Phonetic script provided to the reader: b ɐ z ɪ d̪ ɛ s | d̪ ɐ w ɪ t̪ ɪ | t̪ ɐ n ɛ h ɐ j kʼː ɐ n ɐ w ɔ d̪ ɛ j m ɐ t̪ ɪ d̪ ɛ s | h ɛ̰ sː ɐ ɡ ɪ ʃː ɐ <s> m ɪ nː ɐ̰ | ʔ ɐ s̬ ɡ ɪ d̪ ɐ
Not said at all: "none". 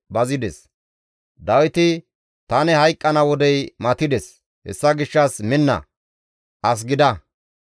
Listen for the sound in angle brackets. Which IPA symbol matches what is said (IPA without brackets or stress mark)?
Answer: s